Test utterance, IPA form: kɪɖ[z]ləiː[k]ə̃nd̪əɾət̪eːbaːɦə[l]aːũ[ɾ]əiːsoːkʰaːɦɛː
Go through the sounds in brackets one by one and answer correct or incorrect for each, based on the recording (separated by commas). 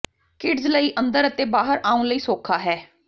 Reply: correct, incorrect, incorrect, incorrect